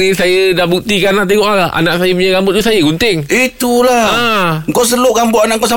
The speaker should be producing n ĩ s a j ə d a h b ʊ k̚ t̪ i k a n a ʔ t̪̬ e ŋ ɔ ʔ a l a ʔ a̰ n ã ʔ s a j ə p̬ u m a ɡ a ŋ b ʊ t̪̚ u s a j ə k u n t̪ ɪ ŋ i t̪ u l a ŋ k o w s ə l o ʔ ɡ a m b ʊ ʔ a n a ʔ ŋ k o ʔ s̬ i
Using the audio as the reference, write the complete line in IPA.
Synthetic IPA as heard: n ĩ s a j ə d a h b u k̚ t̪ i k a n a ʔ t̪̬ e ŋ ɔ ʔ a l a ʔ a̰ n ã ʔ s a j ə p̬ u ɲ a ɡ a m b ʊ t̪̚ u s a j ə ɡ u n t̪ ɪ ŋ i t̪ u l a ŋ k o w s ə l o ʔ ɡ a m b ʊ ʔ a n a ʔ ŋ k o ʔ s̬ a